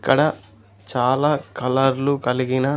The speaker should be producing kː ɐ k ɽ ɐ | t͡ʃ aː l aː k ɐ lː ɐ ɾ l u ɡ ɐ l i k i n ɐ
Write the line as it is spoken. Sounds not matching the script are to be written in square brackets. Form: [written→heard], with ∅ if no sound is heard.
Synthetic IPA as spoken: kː ɐ [k→∅] ɽ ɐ | t͡ʃ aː l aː k ɐ [lː→l] ɐ ɾ l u [ɡ→k] ɐ l i [k→ɡ] i n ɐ